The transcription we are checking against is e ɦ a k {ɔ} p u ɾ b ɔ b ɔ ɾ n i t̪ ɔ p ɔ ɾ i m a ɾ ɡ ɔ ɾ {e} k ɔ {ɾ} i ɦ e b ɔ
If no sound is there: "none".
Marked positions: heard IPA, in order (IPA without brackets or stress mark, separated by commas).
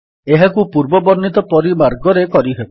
u, e, ɾ